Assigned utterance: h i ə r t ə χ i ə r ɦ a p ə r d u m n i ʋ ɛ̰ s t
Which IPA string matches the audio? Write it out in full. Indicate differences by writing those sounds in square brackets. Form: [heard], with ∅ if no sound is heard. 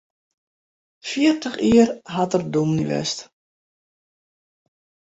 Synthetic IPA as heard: [f] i ə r t ə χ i ə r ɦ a [t] ə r d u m n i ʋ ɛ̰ s t